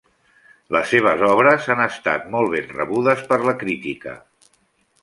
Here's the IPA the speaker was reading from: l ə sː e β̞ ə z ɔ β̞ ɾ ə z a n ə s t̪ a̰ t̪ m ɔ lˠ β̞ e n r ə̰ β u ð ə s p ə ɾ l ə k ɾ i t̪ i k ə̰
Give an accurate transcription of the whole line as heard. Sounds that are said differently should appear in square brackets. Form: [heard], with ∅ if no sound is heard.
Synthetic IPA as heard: l ə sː e β̞ ə z ɔ β̞ ɾ ə z a n ə s t̪ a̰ t̪ m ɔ lˠ β̞ e n r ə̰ β u ð ə s p ə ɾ l ə k ɾ i t̪ i k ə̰